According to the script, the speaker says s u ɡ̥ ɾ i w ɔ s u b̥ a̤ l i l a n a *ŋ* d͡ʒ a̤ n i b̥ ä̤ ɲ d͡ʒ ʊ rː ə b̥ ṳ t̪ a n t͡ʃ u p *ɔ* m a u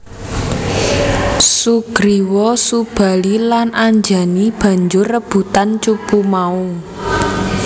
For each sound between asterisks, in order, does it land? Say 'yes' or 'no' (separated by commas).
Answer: no, no